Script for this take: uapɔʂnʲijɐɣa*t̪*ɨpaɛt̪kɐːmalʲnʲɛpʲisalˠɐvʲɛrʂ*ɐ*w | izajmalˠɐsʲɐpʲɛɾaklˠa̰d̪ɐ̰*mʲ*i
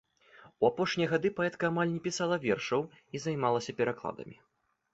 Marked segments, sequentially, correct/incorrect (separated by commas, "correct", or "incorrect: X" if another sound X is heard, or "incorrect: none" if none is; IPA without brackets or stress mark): incorrect: d̪, correct, correct